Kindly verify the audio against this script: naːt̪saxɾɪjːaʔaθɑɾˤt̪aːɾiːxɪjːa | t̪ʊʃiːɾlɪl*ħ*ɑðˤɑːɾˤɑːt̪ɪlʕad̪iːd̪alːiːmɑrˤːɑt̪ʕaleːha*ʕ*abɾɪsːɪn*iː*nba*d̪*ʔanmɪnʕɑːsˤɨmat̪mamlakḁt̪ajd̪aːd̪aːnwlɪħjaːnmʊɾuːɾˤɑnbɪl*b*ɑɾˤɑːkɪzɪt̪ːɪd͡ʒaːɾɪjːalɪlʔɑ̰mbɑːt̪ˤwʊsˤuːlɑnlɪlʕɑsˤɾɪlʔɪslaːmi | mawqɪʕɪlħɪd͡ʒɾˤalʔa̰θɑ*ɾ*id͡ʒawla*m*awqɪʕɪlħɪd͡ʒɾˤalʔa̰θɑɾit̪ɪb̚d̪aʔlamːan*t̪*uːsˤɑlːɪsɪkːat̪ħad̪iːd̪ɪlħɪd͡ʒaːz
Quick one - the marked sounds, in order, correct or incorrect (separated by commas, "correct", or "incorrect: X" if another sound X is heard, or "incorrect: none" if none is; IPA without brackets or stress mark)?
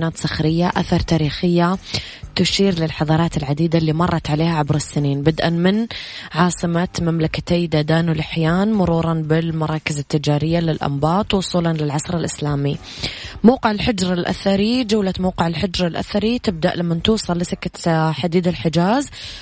correct, correct, correct, correct, incorrect: m, correct, correct, correct